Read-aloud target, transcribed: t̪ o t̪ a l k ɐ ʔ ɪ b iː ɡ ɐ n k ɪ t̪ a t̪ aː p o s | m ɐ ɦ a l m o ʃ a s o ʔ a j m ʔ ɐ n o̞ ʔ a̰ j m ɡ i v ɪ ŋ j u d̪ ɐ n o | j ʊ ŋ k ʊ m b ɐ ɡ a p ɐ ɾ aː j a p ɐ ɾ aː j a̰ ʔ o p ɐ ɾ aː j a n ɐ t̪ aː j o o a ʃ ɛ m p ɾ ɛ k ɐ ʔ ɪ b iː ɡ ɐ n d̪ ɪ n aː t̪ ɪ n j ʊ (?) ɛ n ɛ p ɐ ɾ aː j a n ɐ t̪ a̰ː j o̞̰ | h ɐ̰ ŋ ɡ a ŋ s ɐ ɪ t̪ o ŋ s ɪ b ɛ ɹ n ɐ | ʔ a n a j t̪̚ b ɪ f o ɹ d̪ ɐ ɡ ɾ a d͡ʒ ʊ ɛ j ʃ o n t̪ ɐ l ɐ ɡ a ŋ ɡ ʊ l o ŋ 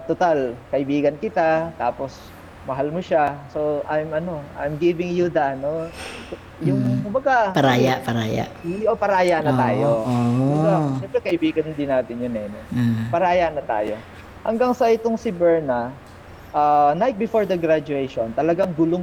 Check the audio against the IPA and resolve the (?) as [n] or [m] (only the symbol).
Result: n